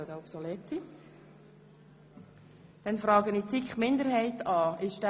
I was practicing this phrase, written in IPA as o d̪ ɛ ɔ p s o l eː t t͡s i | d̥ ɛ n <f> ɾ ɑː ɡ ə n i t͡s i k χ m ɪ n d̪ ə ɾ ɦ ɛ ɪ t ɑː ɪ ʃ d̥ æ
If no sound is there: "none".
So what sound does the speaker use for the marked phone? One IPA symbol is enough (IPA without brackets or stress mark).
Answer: f